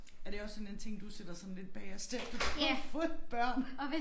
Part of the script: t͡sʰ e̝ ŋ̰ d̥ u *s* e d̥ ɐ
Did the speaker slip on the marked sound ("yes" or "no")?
no